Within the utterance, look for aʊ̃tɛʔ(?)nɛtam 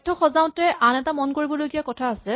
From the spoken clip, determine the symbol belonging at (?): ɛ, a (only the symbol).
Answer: a